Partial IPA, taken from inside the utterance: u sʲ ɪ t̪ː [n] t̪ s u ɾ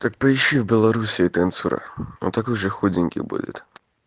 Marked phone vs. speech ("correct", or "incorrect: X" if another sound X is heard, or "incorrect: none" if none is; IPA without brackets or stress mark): correct